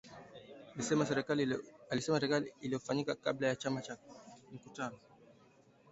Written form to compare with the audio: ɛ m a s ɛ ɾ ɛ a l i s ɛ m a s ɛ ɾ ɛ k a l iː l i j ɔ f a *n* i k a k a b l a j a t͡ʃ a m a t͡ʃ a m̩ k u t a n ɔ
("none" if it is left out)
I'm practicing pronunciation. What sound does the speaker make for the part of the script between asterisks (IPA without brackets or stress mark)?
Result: ɲ